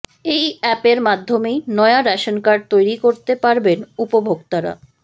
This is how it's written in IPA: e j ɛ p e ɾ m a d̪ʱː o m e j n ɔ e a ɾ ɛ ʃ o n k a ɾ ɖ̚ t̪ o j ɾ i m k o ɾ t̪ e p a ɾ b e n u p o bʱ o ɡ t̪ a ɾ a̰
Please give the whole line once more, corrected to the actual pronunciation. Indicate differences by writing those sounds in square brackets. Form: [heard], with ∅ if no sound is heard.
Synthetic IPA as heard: e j ɛ p e ɾ m a d̪ʱː o m e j n ɔ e a ɾ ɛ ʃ o n k a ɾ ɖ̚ t̪ o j ɾ i [∅] k o ɾ t̪ e p a ɾ b e n u p o bʱ o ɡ t̪ a ɾ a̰